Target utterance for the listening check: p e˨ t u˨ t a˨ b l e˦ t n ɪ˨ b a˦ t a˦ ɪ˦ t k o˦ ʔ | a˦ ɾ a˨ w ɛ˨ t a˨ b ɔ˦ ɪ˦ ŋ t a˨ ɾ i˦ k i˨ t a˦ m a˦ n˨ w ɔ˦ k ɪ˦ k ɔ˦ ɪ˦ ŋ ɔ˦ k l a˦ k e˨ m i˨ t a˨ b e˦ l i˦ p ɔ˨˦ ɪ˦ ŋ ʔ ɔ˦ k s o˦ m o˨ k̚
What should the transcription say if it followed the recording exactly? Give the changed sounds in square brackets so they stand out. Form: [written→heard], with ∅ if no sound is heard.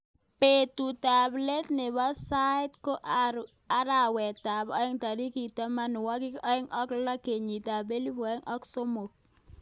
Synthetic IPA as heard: p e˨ t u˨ t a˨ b l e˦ t n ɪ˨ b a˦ [t→s] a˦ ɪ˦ t k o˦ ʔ | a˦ ɾ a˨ w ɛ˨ t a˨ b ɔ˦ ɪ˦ ŋ t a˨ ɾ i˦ k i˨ t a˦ m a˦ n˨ w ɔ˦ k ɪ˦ k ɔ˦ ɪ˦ ŋ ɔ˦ k l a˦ k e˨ [m→ɲ] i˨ t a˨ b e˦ l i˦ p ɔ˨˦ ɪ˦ ŋ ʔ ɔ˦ k s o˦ m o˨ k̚